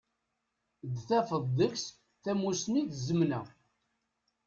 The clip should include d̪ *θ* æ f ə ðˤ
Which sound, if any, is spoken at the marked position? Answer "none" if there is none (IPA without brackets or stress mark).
θ